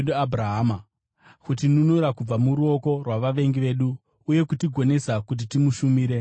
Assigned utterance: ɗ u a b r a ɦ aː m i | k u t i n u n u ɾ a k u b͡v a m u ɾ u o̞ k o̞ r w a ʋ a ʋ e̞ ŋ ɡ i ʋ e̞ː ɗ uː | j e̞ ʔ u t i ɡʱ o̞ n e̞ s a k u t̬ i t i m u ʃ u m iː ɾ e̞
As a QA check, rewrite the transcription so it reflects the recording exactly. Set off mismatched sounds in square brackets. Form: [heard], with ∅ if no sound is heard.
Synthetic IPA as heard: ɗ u a b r a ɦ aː m [a] | k u t i n u n u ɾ a k u b͡v a m u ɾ u o̞ k o̞ r w a ʋ a ʋ e̞ ŋ ɡ i ʋ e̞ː ɗ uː | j e̞ [k] u t i ɡʱ o̞ n e̞ s a k u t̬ i t i m u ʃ u m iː ɾ e̞